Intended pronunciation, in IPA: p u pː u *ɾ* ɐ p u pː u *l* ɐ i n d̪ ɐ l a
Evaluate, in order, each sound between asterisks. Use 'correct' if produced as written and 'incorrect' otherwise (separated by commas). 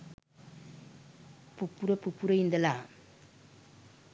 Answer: correct, incorrect